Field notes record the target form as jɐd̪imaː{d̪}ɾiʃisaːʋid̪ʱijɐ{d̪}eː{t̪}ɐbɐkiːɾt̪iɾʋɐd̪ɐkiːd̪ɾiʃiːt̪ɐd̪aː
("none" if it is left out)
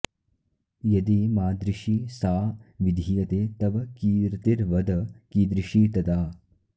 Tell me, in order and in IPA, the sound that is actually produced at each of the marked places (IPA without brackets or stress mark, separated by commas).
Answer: d̪, t̪, t̪